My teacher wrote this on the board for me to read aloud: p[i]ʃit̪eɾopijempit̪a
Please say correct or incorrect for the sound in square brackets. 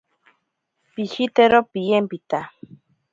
correct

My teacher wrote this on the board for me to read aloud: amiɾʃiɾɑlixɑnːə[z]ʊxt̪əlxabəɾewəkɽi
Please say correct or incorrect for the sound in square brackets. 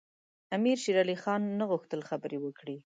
incorrect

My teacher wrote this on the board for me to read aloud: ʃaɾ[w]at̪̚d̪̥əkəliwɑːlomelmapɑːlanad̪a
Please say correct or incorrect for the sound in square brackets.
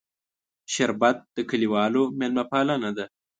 incorrect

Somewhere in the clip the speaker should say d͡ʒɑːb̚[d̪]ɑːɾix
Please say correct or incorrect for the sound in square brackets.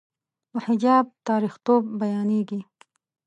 incorrect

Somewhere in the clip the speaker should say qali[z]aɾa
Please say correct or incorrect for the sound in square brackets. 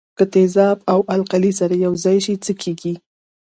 incorrect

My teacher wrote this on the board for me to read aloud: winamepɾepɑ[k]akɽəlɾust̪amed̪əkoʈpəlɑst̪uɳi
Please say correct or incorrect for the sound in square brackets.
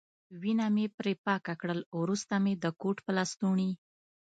correct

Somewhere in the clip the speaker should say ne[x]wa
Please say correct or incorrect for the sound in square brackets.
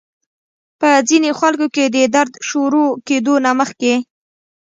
correct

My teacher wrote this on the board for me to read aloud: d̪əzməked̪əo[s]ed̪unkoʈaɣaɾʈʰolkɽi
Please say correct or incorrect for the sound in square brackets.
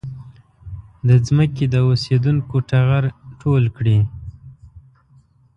correct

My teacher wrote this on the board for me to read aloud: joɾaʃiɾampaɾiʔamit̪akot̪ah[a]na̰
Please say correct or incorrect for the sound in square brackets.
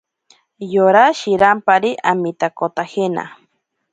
incorrect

